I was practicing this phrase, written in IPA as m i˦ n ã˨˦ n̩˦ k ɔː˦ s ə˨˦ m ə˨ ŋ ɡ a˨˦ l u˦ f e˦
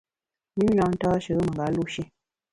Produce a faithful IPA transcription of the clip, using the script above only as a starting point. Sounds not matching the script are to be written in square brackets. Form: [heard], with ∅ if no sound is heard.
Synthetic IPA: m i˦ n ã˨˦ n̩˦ [t] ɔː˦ [ʃ] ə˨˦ m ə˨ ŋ ɡ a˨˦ l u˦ [ʃ] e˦